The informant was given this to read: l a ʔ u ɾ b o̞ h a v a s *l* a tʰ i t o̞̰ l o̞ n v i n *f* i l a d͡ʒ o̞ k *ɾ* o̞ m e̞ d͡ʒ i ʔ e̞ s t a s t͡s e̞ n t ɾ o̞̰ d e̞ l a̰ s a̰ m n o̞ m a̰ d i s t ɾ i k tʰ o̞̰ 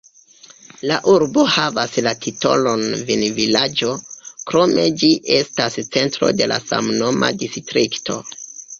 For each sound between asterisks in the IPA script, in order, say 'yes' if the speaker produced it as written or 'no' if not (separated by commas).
yes, no, yes